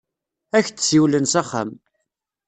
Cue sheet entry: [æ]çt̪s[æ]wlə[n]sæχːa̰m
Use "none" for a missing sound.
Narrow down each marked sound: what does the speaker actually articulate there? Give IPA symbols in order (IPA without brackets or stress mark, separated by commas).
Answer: æ, i, n